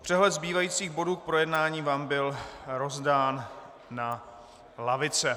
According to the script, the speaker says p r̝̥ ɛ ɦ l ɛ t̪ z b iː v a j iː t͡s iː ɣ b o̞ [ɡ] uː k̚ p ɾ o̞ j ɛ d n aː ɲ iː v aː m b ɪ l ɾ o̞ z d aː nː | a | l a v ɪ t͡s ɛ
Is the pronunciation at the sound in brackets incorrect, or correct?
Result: incorrect